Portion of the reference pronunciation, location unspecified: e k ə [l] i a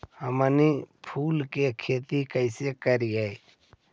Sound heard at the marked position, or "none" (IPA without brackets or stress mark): ɾ